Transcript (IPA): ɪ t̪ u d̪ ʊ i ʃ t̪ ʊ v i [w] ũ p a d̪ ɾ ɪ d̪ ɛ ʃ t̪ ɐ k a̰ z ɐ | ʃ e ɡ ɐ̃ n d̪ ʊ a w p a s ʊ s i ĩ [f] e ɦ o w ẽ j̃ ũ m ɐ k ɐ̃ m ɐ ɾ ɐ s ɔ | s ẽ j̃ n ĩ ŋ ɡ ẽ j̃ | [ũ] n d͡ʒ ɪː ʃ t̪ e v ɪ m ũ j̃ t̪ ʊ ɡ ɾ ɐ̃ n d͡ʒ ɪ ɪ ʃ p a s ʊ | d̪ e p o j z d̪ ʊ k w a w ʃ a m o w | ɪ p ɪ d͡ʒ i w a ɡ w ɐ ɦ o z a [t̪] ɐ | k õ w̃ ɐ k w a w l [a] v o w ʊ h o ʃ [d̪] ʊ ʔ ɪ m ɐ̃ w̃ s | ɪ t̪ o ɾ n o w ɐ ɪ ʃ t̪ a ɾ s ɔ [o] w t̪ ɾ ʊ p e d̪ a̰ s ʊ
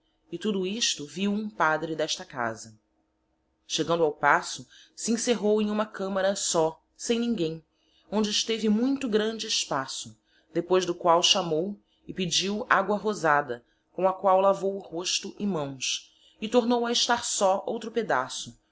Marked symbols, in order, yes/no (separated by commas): yes, no, no, no, yes, no, yes